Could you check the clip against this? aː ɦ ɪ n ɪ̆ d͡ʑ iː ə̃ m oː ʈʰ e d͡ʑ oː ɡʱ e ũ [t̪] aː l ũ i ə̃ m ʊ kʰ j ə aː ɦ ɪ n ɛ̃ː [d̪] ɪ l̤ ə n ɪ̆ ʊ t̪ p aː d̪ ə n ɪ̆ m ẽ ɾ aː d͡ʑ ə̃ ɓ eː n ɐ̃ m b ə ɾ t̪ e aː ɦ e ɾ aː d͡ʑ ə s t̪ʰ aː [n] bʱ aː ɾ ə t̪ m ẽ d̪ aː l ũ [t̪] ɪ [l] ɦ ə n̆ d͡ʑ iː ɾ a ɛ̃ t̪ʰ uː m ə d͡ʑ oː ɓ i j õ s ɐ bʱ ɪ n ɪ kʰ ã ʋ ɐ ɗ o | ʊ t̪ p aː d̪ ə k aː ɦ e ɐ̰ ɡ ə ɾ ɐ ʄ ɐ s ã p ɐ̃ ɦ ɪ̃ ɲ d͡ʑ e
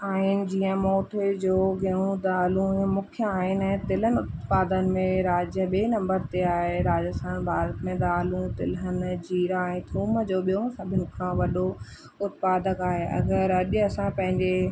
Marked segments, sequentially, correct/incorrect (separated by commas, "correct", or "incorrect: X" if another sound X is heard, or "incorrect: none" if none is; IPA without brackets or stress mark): incorrect: d̪, incorrect: t̪, correct, correct, correct